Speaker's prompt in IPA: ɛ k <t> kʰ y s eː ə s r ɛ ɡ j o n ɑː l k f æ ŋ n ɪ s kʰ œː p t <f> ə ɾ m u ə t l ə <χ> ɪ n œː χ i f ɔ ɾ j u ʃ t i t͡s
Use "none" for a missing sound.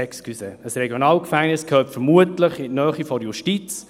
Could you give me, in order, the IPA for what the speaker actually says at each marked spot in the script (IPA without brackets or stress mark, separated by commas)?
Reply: s, f, χ